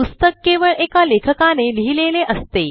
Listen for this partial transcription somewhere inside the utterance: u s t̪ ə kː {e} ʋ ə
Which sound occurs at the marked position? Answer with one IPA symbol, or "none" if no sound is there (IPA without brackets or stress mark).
e